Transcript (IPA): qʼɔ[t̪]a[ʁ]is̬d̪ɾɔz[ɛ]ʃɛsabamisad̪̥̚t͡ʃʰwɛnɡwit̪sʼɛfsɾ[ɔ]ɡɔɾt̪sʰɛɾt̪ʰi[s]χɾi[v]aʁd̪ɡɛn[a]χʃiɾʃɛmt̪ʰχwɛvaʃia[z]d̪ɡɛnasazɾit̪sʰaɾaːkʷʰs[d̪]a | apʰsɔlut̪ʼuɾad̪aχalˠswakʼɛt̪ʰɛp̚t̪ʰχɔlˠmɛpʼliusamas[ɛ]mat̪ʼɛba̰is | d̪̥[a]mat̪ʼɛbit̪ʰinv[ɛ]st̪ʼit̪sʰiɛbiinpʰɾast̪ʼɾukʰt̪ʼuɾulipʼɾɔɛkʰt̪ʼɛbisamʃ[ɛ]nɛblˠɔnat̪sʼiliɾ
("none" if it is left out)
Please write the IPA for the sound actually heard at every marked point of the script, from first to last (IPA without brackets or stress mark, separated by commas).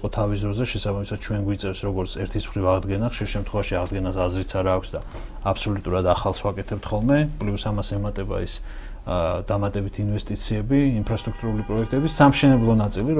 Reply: t̪ʰ, v, ɛ, ɔ, s, v, a, ʁ, d̪, ɛ, a, ɛ, ɛ